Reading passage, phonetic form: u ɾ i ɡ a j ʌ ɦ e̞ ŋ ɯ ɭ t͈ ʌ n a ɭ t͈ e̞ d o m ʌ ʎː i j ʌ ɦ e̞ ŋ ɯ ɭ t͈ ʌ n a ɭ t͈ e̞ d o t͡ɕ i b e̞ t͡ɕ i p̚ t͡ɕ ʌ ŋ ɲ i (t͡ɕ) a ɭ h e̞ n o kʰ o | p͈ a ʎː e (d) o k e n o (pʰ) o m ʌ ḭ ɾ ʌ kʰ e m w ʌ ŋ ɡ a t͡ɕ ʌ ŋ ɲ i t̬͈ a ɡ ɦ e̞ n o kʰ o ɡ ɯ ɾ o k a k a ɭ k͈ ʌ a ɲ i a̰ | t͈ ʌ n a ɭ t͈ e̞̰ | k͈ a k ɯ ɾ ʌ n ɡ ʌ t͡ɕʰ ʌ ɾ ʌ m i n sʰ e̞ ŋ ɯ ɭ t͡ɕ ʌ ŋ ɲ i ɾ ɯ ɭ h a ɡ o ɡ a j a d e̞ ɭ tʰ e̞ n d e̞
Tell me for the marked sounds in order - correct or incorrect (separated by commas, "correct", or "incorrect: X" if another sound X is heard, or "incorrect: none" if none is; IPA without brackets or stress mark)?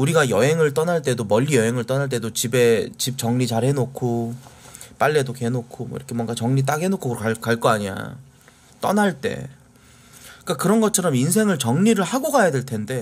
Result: correct, correct, incorrect: kʰ